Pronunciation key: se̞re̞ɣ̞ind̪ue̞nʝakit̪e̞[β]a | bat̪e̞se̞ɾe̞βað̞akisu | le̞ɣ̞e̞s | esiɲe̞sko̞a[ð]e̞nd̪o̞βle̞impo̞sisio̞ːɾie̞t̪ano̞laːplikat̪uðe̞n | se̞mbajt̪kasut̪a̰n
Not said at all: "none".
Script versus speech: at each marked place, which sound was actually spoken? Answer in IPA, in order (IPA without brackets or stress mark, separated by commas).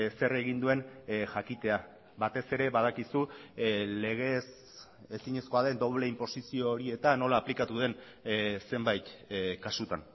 none, ð